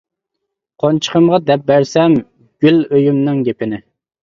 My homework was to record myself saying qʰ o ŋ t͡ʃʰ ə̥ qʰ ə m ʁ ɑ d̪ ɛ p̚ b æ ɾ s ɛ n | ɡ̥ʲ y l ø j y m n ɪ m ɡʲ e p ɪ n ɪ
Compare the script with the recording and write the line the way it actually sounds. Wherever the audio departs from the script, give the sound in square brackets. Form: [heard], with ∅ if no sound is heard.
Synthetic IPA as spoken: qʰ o [n] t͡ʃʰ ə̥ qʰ ə m ʁ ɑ d̪ ɛ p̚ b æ ɾ s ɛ [m] | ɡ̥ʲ y l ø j y m n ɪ [ŋ] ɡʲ e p ɪ n ɪ